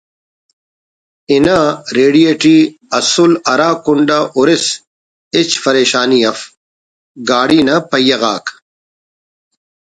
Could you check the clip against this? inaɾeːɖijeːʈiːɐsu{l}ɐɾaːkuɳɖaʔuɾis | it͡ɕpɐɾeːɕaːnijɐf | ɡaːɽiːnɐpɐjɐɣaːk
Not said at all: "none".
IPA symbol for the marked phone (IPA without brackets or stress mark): l